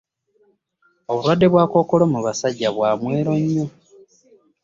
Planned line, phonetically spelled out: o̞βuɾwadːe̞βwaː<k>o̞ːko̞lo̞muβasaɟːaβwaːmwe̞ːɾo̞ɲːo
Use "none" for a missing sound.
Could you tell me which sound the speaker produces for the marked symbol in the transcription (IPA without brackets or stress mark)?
k